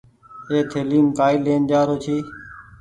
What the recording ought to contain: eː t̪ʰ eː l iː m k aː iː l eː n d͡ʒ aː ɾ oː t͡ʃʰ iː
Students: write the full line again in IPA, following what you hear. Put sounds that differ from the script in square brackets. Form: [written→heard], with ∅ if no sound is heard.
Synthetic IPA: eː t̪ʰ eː l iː m k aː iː l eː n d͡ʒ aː ɾ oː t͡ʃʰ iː